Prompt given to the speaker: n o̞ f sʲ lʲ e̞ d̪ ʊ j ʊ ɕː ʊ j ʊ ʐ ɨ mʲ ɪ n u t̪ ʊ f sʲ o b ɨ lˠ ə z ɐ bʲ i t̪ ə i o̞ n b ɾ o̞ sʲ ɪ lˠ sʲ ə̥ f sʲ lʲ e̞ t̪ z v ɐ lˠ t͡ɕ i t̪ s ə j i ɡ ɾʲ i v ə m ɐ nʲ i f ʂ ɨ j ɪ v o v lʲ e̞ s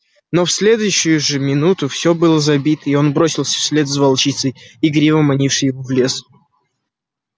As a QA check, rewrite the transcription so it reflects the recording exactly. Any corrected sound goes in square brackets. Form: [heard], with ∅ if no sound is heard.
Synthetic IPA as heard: n o̞ f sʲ lʲ e̞ d̪ ʊ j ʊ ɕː ʊ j ʊ ʐ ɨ mʲ ɪ n u t̪ ʊ f sʲ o b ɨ lˠ ə z ɐ bʲ i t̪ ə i o̞ n b ɾ o̞ sʲ ɪ lˠ sʲ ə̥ f sʲ lʲ e̞ t̪ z v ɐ lˠ t͡ɕ i t̪ s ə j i ɡ ɾʲ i v ə m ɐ nʲ i f ʂ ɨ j ɪ v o v lʲ e̞ s